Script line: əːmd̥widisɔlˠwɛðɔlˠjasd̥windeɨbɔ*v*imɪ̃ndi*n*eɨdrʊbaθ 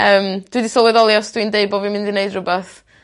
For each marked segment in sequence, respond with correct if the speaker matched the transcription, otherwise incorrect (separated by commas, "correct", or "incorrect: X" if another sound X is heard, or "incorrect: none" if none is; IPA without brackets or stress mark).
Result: correct, correct